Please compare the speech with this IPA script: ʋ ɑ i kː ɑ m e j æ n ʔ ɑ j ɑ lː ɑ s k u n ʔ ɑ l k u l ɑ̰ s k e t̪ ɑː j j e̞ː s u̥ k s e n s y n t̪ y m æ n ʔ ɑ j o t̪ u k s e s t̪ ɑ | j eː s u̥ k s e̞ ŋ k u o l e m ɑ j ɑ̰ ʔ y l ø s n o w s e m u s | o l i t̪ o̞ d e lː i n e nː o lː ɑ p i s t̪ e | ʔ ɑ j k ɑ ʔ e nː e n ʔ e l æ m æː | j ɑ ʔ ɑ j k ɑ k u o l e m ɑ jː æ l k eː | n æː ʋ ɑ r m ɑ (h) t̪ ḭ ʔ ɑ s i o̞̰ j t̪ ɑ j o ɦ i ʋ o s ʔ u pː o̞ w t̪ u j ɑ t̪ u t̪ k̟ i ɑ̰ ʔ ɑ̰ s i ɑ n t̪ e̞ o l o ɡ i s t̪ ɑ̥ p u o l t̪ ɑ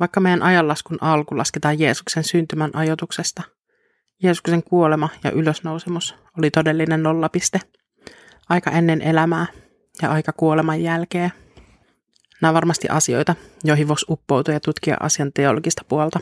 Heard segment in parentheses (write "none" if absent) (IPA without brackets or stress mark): s